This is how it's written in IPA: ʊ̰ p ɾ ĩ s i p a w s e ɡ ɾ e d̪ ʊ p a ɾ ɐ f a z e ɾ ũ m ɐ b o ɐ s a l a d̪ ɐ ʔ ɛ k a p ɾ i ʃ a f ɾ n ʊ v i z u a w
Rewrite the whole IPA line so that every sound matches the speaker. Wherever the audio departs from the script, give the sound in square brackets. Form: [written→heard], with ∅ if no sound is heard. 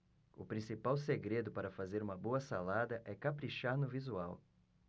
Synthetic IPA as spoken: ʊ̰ p ɾ ĩ s i p a w s e ɡ ɾ e d̪ ʊ p a ɾ ɐ f a z e ɾ ũ m ɐ b o ɐ s a l a d̪ ɐ ʔ ɛ k a p ɾ i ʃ a [f→∅] ɾ n ʊ v i z u a w